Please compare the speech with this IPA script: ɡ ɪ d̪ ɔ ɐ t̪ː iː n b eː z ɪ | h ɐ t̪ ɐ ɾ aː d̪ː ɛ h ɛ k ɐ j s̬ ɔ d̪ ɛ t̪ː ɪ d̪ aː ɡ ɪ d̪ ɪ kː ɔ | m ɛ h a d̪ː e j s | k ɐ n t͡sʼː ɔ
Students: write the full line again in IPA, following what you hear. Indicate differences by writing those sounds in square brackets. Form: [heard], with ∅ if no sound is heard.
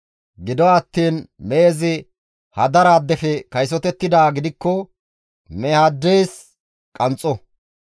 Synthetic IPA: ɡ ɪ d̪ ɔ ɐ t̪ː iː n [m] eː z ɪ | h ɐ [d̪] ɐ ɾ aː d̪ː ɛ [f] ɛ k ɐ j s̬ ɔ [t̪] ɛ t̪ː ɪ d̪ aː ɡ ɪ d̪ ɪ kː ɔ | m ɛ h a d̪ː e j s | [kʼ] ɐ n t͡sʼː ɔ